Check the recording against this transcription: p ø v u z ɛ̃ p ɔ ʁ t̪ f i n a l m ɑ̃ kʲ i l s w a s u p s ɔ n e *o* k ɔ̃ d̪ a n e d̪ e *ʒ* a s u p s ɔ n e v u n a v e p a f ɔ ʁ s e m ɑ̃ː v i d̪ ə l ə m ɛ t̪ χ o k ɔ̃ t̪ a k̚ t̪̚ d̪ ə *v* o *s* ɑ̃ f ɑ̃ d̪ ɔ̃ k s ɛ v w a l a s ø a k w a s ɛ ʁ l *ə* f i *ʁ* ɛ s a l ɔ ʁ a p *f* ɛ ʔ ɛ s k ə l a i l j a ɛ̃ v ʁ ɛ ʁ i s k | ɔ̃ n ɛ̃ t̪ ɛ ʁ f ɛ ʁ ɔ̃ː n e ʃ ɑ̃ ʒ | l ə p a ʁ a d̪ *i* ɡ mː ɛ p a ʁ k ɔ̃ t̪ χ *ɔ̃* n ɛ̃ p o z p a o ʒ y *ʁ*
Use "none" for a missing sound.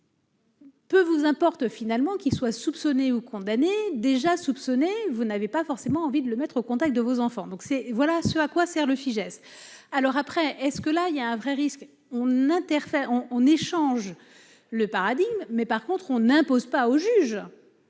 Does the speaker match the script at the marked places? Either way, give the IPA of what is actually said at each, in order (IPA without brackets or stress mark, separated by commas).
u, ʒ, v, z, ə, ʒ, χ, i, ɔ̃, ʒ